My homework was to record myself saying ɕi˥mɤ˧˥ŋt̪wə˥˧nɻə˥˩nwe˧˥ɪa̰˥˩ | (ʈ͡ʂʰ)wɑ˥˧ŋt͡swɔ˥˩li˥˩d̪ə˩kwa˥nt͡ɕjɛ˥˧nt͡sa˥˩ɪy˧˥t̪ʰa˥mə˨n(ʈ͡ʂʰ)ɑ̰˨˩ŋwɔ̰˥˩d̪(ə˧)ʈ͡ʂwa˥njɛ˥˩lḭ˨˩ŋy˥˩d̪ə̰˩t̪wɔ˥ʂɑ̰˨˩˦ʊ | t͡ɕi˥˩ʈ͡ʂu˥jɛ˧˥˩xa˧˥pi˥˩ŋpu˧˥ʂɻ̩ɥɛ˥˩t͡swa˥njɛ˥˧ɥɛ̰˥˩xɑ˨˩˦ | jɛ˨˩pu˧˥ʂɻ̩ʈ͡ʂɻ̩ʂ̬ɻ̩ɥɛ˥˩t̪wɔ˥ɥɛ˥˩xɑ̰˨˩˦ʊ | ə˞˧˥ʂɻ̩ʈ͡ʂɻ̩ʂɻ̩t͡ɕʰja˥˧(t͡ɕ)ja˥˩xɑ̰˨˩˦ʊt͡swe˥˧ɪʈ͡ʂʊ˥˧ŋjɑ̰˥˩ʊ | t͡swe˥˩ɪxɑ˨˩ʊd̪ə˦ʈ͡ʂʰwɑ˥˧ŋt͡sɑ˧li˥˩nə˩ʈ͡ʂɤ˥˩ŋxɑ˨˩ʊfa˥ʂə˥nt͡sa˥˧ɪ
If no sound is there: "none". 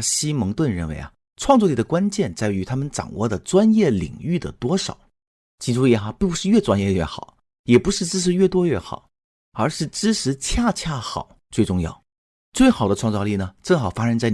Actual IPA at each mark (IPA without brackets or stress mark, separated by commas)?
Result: ʈ͡ʂʰ, ʈ͡ʂ, ə˩, t͡ɕʰ